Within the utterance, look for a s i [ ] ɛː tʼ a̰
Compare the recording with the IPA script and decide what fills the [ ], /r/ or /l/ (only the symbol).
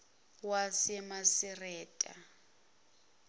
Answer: r